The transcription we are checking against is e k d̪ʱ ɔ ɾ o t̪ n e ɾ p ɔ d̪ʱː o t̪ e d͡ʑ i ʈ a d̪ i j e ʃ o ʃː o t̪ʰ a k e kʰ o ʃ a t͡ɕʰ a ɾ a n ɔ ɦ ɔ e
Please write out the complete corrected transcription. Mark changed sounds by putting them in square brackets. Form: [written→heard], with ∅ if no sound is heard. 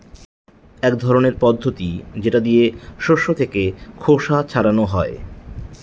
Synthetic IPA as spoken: [e→ɛ] k d̪ʱ ɔ ɾ o [t̪→∅] n e ɾ p ɔ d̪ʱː o t̪ [e→i] d͡ʑ [i→e] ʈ a d̪ i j e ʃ o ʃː o t̪ʰ [a→e] k e kʰ o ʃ a t͡ɕʰ a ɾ a n [ɔ→o] ɦ ɔ e